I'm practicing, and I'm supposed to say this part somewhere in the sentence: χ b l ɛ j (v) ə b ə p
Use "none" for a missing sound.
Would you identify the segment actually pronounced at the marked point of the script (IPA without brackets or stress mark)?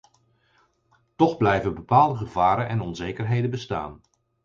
v